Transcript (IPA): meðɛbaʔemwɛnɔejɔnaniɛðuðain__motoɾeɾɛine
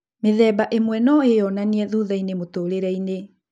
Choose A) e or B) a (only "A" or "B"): A